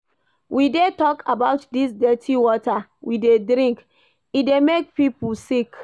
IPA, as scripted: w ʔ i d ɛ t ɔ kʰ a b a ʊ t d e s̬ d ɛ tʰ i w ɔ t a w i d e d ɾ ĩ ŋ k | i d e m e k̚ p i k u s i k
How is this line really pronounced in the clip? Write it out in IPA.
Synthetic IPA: w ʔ i d e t ɔ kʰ a b a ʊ t d i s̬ d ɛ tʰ i w ɔ t a w i d e d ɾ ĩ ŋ k | i d e m e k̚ p i p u s i k